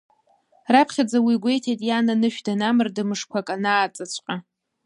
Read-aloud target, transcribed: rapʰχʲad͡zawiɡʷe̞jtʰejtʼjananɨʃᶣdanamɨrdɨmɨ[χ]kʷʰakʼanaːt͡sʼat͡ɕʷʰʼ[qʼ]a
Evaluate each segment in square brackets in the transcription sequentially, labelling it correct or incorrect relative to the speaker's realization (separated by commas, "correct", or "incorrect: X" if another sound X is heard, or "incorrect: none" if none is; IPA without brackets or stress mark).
incorrect: ʂ, correct